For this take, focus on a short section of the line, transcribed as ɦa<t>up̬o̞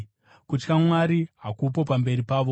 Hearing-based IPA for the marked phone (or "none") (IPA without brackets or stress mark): k